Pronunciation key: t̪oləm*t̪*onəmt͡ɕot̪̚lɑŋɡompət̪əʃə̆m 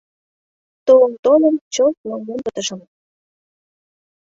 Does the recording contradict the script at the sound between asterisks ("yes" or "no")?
no